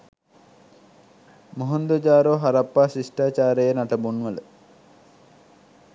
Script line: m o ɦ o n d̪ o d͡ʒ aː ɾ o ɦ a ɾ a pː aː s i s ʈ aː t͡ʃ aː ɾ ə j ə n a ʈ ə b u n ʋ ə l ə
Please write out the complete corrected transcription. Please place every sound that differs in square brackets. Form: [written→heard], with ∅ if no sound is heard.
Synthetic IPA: m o ɦ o n d̪ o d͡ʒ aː ɾ o ɦ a ɾ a pː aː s i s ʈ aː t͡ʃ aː ɾ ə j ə n a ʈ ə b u n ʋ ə l ə